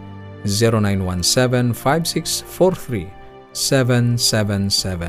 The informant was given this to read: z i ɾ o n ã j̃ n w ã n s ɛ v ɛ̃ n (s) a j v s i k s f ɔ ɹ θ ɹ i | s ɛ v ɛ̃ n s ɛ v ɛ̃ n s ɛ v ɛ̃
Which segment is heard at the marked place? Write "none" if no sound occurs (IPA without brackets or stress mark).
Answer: f